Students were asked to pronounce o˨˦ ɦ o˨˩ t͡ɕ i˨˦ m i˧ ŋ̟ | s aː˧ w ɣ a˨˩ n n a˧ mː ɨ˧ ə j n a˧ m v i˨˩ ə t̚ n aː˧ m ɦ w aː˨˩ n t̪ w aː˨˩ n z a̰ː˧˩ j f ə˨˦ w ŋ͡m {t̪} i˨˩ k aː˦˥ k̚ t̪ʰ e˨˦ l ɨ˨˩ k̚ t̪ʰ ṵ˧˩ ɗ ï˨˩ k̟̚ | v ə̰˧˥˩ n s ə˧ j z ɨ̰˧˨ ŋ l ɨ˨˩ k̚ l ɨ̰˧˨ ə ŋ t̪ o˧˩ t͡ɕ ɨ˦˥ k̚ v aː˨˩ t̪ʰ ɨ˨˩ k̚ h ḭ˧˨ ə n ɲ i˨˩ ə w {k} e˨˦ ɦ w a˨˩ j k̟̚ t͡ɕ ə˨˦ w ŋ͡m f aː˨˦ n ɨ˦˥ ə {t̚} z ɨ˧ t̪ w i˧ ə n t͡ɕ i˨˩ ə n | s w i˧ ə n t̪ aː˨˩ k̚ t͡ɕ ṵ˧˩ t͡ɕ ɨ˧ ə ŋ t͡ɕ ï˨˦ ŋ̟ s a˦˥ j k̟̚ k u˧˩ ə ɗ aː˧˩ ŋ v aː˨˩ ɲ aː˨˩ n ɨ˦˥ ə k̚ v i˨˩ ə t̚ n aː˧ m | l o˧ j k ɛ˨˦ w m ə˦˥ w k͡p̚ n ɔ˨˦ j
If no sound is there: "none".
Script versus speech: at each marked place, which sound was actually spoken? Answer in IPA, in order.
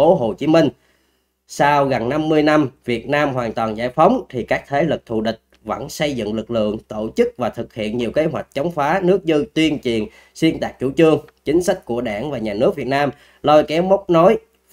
t̪ʰ, k, k̚

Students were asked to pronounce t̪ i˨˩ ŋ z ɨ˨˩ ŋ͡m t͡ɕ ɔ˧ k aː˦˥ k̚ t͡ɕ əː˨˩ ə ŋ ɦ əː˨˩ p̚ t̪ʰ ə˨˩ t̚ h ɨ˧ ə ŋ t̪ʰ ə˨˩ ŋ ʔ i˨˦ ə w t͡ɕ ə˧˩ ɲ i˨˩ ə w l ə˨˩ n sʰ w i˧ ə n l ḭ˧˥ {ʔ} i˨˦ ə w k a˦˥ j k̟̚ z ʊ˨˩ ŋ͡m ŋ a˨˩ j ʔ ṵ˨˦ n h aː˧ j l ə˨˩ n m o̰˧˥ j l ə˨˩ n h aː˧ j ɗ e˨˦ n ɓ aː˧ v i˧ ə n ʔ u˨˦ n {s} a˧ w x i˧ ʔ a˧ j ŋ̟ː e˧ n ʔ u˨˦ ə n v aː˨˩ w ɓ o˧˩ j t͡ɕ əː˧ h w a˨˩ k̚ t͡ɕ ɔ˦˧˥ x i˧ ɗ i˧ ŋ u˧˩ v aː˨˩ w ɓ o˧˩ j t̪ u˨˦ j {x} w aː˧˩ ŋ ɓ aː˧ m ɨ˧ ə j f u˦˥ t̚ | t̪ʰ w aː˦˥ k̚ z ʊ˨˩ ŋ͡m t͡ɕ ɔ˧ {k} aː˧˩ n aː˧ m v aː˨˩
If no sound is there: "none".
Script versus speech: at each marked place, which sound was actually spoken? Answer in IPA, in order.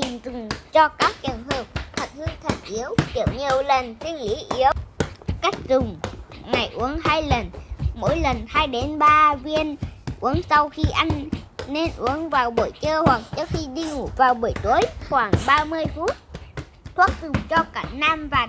ʔ, s, x, k

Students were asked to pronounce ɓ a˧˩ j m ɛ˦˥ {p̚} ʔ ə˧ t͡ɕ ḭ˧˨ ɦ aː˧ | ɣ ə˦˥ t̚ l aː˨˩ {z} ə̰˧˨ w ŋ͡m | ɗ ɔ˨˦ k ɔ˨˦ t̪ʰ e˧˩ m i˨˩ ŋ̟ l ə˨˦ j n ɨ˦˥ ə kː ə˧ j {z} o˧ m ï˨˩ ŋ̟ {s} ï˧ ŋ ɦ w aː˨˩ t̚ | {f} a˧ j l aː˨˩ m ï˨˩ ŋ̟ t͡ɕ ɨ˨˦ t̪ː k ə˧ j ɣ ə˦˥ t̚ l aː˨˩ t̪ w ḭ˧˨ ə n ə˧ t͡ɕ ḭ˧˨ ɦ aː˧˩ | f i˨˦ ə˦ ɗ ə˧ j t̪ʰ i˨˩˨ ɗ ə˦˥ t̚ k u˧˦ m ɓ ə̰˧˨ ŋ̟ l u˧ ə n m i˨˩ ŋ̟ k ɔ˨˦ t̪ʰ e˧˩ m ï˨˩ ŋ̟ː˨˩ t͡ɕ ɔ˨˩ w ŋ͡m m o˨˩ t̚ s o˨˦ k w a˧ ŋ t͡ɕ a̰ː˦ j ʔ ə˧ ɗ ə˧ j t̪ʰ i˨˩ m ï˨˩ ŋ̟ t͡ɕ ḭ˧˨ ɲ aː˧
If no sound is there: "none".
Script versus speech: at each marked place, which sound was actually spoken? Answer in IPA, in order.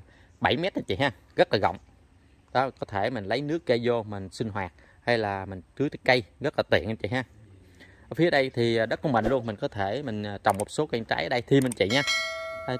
t̚, ɣ, z, s, h

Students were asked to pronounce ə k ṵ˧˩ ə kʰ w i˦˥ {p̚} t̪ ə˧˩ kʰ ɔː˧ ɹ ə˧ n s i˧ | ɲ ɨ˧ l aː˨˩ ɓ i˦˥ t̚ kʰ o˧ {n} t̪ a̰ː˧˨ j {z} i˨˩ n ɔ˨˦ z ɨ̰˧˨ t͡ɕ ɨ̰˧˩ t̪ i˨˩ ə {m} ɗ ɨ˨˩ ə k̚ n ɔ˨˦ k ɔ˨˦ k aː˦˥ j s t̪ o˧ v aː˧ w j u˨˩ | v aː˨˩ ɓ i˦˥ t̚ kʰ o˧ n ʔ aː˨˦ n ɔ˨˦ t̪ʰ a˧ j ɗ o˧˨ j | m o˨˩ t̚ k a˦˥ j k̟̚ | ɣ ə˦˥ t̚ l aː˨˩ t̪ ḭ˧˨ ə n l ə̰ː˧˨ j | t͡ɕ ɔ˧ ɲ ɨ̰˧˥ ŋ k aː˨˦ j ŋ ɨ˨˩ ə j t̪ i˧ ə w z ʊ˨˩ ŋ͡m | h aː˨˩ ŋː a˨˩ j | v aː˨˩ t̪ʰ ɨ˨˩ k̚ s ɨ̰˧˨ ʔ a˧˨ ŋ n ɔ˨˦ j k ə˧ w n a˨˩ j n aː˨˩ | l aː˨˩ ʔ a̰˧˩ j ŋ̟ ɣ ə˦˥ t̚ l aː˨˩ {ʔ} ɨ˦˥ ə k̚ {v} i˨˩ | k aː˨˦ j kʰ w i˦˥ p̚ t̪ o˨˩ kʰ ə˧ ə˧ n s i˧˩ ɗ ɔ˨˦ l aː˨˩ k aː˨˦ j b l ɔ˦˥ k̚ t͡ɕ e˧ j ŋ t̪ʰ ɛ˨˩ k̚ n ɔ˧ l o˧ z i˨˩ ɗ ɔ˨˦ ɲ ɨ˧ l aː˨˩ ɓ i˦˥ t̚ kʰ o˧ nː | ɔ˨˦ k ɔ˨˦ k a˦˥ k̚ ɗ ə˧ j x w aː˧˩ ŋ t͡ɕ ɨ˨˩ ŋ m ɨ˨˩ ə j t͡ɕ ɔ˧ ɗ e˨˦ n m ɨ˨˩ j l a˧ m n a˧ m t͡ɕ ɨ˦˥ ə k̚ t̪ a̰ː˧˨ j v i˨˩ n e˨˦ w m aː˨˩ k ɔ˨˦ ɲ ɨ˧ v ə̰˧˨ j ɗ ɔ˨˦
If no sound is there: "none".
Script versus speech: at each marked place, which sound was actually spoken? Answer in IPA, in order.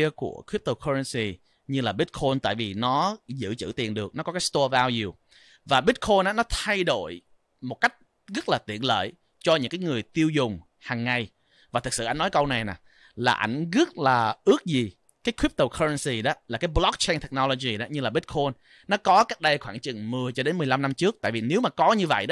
p̚, n, v, n, ʔ, z

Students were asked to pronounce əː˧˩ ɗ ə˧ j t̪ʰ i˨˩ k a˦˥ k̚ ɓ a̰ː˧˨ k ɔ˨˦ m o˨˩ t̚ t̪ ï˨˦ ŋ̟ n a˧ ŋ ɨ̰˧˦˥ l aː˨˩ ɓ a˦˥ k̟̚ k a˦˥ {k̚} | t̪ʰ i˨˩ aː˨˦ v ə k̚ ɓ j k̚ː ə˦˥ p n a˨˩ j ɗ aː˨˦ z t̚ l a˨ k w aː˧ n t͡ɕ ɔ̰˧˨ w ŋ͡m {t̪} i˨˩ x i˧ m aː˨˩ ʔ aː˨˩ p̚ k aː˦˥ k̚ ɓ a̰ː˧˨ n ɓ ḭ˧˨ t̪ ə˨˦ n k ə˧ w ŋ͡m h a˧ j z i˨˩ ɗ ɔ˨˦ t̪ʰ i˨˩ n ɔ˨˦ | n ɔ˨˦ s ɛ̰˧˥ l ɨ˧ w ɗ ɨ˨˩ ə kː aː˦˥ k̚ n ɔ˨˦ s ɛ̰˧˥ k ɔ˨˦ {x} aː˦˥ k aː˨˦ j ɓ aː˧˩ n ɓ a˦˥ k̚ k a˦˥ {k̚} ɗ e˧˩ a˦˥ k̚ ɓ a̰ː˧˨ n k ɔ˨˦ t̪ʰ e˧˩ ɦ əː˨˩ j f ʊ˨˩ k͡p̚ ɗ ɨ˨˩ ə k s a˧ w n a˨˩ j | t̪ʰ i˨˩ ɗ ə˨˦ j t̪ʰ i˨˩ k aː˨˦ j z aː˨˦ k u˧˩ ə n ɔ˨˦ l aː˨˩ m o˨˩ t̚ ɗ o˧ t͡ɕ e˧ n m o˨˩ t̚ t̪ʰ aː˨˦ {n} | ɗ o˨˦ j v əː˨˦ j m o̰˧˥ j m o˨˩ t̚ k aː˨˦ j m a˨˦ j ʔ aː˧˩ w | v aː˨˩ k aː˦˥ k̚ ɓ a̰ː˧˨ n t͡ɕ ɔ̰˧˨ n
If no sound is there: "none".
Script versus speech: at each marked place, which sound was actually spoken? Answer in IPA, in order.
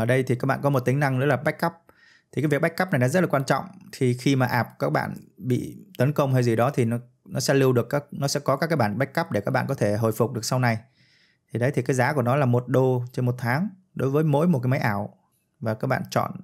p̚, t̪ʰ, k, p̚, ŋ

